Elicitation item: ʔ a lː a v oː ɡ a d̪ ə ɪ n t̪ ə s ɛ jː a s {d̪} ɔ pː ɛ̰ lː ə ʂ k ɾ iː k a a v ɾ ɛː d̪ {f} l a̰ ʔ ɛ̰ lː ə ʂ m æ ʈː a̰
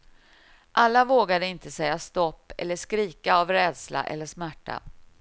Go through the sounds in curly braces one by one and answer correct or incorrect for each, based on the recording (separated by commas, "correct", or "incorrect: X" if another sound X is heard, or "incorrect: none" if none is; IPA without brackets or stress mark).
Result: incorrect: t̪, incorrect: s